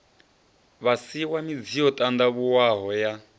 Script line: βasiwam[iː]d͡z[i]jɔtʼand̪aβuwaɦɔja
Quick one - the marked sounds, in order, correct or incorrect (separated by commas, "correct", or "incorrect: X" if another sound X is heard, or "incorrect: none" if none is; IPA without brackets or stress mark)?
incorrect: i, correct